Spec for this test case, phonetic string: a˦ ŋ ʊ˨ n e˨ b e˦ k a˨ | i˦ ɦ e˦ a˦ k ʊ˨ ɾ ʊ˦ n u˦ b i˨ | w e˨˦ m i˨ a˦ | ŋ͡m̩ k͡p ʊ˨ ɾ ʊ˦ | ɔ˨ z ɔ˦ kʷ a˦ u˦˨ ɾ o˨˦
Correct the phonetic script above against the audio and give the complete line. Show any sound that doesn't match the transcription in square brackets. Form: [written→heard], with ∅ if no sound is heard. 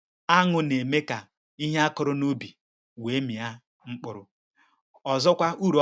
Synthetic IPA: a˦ ŋ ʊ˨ n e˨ [b→m] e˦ k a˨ | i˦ ɦ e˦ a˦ k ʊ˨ ɾ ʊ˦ n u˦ b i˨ | w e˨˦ m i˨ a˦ | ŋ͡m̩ k͡p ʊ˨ ɾ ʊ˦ | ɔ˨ z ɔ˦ kʷ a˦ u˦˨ ɾ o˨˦

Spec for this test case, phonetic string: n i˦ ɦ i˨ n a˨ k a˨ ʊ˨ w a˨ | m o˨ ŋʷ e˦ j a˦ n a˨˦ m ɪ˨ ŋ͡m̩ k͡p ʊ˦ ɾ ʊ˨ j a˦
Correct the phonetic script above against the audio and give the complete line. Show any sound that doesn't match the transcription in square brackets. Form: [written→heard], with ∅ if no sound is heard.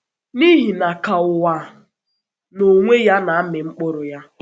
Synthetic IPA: n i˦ ɦ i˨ n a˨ k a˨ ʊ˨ w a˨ | [m→n] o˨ ŋʷ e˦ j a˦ n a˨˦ m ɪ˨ ŋ͡m̩ k͡p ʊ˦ ɾ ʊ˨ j a˦

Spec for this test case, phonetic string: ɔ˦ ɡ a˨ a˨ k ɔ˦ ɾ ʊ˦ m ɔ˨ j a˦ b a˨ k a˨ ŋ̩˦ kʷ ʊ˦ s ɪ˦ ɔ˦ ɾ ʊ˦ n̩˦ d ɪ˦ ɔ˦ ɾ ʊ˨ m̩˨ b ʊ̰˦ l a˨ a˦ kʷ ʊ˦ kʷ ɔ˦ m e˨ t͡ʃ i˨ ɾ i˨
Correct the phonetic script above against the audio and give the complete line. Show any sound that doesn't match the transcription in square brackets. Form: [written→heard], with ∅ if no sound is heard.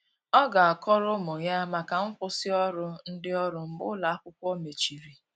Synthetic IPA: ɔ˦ ɡ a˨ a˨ k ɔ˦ ɾ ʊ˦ m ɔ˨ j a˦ [b→m] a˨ k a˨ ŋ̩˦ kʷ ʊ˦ s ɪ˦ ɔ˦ ɾ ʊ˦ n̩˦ d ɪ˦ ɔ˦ ɾ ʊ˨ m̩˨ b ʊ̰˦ l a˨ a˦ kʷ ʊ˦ kʷ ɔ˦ m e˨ t͡ʃ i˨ ɾ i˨

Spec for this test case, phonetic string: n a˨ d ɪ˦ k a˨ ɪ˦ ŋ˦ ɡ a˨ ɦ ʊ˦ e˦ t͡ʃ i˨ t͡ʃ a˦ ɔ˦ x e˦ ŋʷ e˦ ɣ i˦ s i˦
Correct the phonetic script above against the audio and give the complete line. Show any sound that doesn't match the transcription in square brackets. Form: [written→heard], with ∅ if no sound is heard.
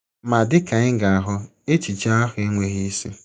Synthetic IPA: [n→m] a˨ d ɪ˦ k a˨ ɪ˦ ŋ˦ ɡ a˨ ɦ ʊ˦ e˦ t͡ʃ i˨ t͡ʃ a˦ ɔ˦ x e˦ ŋʷ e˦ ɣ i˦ s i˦

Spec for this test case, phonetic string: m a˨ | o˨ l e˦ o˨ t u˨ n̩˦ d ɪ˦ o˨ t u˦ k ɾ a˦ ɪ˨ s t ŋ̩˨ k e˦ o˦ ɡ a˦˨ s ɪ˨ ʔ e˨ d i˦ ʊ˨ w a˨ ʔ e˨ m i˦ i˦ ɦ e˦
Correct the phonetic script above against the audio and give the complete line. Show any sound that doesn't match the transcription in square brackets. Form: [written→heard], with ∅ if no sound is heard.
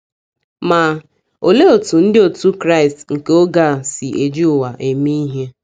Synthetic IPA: m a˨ | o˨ l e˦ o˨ t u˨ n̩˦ d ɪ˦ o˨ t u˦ k ɾ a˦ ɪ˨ s t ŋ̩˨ k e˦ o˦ ɡ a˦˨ s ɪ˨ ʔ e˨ [d→d͡ʒ] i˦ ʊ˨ w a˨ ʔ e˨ m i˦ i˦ ɦ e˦

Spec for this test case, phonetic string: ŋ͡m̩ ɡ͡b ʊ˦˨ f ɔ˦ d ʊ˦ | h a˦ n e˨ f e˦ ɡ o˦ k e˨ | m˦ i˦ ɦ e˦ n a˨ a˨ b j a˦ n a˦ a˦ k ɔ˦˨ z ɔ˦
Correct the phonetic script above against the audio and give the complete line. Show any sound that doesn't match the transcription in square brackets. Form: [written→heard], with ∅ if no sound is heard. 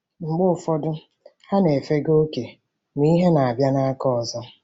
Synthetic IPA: ŋ͡m̩ ɡ͡b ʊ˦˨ f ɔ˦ d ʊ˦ | h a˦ n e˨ f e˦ ɡ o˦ k e˨ | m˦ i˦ ɦ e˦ n a˨ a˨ b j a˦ n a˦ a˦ k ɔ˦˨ z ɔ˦

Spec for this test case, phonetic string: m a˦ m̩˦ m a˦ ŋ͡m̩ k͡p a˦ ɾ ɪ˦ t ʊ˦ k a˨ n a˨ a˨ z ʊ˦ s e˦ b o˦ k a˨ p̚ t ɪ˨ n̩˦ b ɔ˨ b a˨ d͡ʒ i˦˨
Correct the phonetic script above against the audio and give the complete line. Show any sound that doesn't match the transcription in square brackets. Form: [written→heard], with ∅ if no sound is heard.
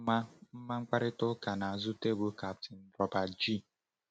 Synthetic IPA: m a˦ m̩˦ m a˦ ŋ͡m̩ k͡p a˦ ɾ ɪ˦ t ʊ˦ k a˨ n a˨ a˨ z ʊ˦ [s→t] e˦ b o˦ k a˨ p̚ t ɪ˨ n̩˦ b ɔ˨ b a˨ d͡ʒ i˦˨

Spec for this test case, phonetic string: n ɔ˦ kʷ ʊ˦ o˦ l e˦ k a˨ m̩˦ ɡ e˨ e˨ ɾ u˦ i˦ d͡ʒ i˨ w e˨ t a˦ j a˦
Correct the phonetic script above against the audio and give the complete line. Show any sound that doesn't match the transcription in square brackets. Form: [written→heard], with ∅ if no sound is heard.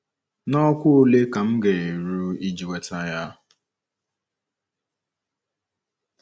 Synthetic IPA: n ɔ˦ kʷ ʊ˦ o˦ l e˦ k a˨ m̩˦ ɡ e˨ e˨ ɾ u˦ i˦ d͡ʒ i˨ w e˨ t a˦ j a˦

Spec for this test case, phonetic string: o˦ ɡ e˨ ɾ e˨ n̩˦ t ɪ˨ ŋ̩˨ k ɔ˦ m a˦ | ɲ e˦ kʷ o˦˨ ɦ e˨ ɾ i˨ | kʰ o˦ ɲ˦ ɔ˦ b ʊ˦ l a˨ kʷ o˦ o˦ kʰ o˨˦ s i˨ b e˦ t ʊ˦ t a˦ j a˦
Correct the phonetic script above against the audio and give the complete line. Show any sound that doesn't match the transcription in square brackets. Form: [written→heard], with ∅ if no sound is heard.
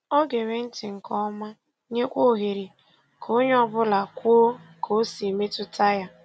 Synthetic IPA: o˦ ɡ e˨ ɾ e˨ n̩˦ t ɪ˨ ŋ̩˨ k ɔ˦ m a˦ | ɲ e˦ kʷ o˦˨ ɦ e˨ ɾ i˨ | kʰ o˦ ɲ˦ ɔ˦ b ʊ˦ l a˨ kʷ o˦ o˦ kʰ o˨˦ s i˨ [b→m] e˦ t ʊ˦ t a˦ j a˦

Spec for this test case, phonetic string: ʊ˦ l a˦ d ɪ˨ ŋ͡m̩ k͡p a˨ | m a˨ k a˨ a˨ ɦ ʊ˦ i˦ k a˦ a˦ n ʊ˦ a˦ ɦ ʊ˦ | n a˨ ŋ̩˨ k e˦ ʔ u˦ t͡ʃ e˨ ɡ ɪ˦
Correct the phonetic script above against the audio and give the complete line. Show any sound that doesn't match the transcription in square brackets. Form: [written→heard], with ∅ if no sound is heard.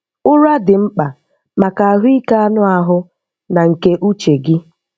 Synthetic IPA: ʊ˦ [l→ɾ] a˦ d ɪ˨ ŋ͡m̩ k͡p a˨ | m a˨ k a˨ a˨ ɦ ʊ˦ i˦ k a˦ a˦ n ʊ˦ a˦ ɦ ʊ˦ | n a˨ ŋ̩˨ k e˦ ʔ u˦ t͡ʃ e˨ ɡ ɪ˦

